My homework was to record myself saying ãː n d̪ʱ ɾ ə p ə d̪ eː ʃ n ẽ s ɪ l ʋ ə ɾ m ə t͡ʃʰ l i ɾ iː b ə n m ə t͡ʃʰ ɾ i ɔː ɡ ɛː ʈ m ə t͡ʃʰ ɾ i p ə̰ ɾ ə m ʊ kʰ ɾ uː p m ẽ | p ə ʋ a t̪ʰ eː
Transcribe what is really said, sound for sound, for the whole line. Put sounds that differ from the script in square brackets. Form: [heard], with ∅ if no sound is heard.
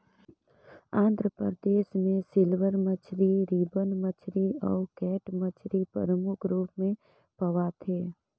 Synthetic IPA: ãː n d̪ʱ ɾ ə p ə d̪ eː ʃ [m] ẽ s ɪ l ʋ ə ɾ m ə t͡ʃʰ [ɾ] i ɾ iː b ə n m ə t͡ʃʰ ɾ i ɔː [k] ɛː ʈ m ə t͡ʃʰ ɾ i p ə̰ ɾ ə m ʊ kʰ ɾ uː p m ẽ | p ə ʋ a t̪ʰ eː